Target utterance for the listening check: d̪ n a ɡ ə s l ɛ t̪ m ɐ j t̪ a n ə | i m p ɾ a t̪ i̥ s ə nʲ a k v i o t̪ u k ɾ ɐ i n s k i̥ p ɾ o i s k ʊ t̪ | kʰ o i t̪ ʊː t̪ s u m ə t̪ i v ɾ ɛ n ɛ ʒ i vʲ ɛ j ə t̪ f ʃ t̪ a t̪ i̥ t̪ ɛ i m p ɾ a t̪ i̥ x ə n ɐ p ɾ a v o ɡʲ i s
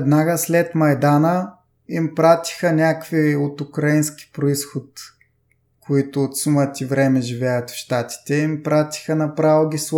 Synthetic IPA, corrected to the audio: d̪ n a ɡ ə s l ɛ t̪ m ɐ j d̪ a n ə | i m p ɾ a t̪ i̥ x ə nʲ a k v i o t̪ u k ɾ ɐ i n s k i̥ p ɾ o i s x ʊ t̪ | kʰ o i t̪ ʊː t̪ s u m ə t̪ i v ɾ ɛ m ɛ ʒ i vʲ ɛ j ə t̪ f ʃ t̪ a t̪ i̥ t̪ ɛ i m p ɾ a t̪ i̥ x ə n ɐ p ɾ a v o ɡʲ i s